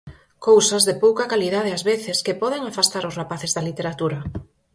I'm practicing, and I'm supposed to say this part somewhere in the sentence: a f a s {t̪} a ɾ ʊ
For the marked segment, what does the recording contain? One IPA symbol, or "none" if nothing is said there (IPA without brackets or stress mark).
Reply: t̪